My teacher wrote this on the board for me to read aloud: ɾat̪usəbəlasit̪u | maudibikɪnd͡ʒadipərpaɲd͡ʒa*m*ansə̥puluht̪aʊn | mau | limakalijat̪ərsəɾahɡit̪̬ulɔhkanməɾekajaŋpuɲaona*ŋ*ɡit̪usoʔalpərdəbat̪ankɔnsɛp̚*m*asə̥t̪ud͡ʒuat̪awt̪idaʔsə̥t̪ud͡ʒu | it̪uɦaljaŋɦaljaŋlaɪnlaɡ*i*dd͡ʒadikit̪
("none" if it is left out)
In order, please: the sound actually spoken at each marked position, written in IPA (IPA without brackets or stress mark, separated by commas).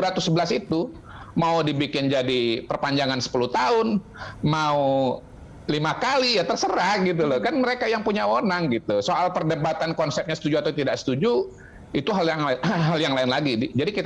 ŋ, ŋ, ɲ, i